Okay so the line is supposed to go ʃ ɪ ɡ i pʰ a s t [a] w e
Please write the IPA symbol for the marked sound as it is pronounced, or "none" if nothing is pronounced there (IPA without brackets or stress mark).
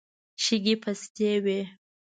e